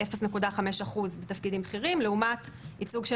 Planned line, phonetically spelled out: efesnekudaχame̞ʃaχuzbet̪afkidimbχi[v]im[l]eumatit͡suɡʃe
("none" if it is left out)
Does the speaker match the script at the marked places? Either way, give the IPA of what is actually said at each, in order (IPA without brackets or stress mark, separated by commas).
ʁ, l